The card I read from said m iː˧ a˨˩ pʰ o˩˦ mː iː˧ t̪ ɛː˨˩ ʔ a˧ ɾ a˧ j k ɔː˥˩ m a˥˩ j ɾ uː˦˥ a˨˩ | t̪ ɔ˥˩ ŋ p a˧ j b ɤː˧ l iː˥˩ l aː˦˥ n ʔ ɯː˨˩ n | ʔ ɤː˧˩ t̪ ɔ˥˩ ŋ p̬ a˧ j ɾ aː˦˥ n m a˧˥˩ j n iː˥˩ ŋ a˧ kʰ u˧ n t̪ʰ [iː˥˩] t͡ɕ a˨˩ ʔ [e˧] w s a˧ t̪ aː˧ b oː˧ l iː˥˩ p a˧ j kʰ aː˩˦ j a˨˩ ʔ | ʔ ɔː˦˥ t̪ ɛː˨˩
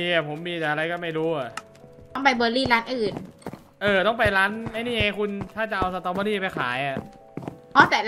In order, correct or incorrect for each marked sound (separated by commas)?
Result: incorrect, incorrect